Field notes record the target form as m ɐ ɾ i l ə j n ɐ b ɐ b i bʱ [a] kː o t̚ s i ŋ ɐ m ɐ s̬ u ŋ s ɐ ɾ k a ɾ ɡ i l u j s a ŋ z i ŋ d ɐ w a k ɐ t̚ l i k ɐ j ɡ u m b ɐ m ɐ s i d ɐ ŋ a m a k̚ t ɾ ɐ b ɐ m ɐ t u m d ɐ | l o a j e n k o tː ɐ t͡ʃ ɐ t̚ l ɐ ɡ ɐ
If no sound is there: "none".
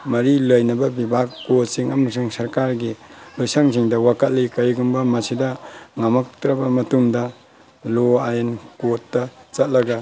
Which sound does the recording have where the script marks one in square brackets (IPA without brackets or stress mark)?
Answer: a